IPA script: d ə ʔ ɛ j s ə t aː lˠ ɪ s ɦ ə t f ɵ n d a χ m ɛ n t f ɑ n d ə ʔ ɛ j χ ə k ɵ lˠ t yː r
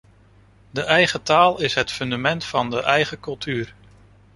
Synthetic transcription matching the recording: d ə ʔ ɛ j χ ə t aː lˠ ɪ s ɦ ə t f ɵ n d a m ɛ n t f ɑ n d ə ʔ ɛ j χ ə k ɵ lˠ t yː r